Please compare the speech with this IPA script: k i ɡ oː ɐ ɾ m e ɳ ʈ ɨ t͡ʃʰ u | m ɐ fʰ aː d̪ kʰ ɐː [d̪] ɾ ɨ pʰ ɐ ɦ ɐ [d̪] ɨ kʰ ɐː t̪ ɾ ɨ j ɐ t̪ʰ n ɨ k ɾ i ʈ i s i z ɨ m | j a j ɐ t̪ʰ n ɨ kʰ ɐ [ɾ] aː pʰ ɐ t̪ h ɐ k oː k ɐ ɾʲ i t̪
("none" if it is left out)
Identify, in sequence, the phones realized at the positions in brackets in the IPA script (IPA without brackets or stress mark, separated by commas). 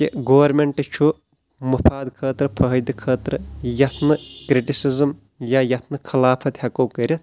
t̪, d̪, l